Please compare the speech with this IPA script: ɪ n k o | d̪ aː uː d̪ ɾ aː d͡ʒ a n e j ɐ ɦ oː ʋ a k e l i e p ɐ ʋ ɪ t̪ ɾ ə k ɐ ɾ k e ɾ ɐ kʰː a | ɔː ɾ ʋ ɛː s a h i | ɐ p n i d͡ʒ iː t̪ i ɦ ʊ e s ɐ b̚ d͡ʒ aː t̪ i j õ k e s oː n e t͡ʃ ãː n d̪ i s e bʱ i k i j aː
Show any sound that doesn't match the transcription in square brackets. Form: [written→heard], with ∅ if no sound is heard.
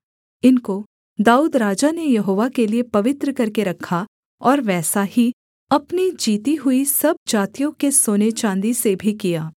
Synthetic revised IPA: ɪ n k o | d̪ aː uː d̪ ɾ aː d͡ʒ a n e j ɐ ɦ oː ʋ a k e l i e p ɐ ʋ ɪ t̪ ɾ ə k ɐ ɾ k e ɾ ɐ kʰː a | ɔː ɾ ʋ ɛː s a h i | ɐ p n i d͡ʒ iː t̪ i ɦ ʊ [e→i] s ɐ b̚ d͡ʒ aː t̪ i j õ k e s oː n e t͡ʃ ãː n d̪ i s e bʱ i k i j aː

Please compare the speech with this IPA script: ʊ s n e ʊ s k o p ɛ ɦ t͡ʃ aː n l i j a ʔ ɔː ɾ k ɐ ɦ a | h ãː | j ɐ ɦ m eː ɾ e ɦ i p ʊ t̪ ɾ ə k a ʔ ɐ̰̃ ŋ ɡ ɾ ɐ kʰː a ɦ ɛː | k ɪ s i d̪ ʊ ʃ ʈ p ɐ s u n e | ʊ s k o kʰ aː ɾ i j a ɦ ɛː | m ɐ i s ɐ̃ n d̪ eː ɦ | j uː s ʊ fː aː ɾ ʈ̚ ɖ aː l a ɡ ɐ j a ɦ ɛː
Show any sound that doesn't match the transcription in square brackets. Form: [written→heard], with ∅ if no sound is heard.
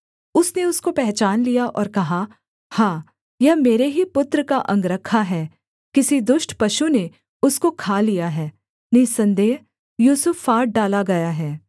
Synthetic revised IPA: ʊ s n e ʊ s k o p ɛ ɦ t͡ʃ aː n l i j a ʔ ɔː ɾ k ɐ ɦ a | h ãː | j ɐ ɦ m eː ɾ e ɦ i p ʊ t̪ ɾ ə k a ʔ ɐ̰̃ ŋ ɡ ɾ ɐ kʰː a ɦ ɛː | k ɪ s i d̪ ʊ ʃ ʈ p ɐ [s→ʃ] u n e | ʊ s k o kʰ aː [ɾ→l] i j a ɦ ɛː | [m→n] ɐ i s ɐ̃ n d̪ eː ɦ | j uː s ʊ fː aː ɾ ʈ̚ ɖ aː l a ɡ ɐ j a ɦ ɛː

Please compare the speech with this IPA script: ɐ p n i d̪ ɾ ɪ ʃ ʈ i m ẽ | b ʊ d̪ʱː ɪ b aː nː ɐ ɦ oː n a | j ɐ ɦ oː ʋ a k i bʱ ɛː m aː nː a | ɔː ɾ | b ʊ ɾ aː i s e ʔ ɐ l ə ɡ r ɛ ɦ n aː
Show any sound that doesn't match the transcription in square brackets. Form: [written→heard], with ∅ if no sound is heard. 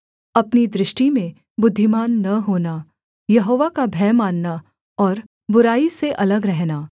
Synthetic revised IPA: ɐ p n i d̪ ɾ ɪ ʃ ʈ i m ẽ | b ʊ d̪ʱː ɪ [b→m] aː nː ɐ ɦ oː n a | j ɐ ɦ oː ʋ a k [i→a] bʱ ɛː m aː nː a | ɔː ɾ | b ʊ ɾ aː i s e ʔ ɐ l ə ɡ [r→ɾ] ɛ ɦ n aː

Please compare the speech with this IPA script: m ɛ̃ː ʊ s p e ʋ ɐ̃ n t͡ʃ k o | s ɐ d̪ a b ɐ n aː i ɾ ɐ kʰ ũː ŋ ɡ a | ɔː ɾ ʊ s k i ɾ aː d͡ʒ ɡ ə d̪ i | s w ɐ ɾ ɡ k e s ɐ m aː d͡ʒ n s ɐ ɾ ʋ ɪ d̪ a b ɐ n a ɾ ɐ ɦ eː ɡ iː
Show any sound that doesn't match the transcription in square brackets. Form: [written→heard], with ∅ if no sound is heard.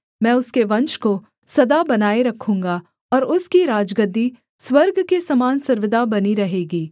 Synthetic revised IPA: m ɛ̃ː ʊ s [p→k] e ʋ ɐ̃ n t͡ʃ k o | s ɐ d̪ a b ɐ n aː [i→e] ɾ ɐ kʰ ũː ŋ ɡ a | ɔː ɾ ʊ s k i ɾ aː d͡ʒ ɡ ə d̪ i | s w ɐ ɾ ɡ k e s ɐ m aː [d͡ʒ→∅] n s ɐ ɾ ʋ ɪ d̪ a b ɐ n [a→i] ɾ ɐ ɦ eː ɡ iː

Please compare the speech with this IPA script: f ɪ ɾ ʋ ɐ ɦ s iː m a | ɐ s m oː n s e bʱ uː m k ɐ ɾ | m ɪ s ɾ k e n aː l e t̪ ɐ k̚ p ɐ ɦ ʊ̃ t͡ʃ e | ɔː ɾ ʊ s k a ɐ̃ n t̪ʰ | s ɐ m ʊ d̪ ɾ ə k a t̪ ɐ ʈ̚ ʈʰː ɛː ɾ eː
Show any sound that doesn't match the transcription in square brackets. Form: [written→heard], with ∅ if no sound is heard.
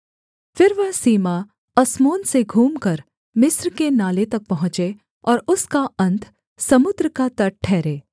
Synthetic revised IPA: f ɪ ɾ ʋ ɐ ɦ s iː m a | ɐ s m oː n s e [bʱ→ɡʱ] uː m k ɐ ɾ | m ɪ s ɾ k e n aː l e t̪ ɐ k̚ p ɐ ɦ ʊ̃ t͡ʃ e | ɔː ɾ ʊ s k a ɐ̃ n t̪ʰ | s ɐ m ʊ d̪ ɾ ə k a t̪ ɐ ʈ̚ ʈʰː ɛː ɾ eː

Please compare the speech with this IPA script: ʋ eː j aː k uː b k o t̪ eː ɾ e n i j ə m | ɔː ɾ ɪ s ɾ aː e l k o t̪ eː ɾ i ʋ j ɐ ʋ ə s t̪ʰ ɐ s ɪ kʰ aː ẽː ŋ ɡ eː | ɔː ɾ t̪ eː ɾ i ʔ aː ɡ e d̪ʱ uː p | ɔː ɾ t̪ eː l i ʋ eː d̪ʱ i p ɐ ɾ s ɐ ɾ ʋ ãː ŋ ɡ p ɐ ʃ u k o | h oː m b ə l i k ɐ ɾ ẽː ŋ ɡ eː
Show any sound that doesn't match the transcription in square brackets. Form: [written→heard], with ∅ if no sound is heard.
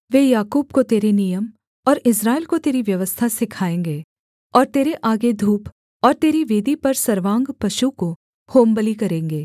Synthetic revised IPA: ʋ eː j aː k uː b k o t̪ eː ɾ e n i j ə m | ɔː ɾ ɪ s ɾ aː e l k o t̪ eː ɾ i ʋ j ɐ ʋ ə s t̪ʰ [ɐ→a] s ɪ kʰ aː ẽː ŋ ɡ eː | ɔː ɾ t̪ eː ɾ [i→e] ʔ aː ɡ e d̪ʱ uː p | ɔː ɾ t̪ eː [l→ɾ] i ʋ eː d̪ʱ i p ɐ ɾ s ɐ ɾ ʋ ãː ŋ ɡ p ɐ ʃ u k o | h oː m b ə l i k ɐ ɾ ẽː ŋ ɡ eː

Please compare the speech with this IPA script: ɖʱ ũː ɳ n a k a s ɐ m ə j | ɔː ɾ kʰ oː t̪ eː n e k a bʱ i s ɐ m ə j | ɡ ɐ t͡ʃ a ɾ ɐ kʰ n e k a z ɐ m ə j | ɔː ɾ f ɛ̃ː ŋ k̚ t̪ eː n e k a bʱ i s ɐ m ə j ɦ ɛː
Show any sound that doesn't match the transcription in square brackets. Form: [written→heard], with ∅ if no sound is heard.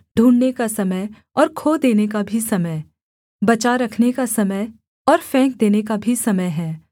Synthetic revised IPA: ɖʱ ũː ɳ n [a→e] k a s ɐ m ə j | ɔː ɾ kʰ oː [t̪→d̪] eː n e k a bʱ i s ɐ m ə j | [ɡ→b] ɐ t͡ʃ a ɾ ɐ kʰ n e k a [z→s] ɐ m ə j | ɔː ɾ f ɛ̃ː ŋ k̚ [t̪→d̪] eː n e k a bʱ i s ɐ m ə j ɦ ɛː

